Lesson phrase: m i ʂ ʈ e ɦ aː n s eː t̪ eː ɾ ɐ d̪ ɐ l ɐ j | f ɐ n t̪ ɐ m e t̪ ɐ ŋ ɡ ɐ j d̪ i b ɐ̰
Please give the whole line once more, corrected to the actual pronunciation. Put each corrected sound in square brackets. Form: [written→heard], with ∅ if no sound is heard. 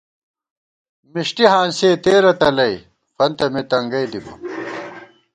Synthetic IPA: m i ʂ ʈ [e→i] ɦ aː n s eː t̪ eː ɾ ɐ [d̪→t̪] ɐ l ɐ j | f ɐ n t̪ ɐ m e t̪ ɐ ŋ ɡ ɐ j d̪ i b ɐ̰